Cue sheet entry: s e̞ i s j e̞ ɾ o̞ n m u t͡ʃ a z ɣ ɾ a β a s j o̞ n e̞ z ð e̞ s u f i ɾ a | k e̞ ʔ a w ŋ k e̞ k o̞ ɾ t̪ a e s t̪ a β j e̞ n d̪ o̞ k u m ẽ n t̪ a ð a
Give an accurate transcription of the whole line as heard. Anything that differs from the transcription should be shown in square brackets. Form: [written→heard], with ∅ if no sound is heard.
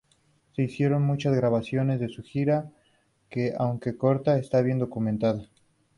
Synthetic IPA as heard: s e̞ i s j e̞ ɾ o̞ n m u t͡ʃ a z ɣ ɾ a β a s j o̞ n e̞ z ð e̞ s u [f→x] i ɾ a | k e̞ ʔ a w ŋ k e̞ k o̞ ɾ t̪ a e s t̪ a β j e̞ n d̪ o̞ k u m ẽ n t̪ a ð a